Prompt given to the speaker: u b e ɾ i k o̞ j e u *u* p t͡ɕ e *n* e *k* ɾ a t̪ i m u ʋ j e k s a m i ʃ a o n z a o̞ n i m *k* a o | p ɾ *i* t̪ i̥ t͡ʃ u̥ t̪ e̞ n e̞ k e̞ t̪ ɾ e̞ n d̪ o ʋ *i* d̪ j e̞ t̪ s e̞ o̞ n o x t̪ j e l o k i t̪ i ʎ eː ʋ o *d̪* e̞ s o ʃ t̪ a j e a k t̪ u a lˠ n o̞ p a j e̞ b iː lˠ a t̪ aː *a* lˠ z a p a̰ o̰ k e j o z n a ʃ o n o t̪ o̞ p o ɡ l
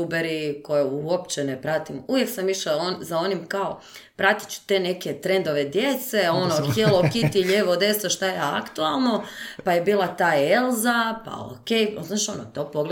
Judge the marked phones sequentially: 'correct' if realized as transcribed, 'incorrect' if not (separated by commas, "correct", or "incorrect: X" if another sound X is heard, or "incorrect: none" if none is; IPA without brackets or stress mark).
incorrect: o, correct, incorrect: p, correct, incorrect: a, incorrect: e, correct, incorrect: e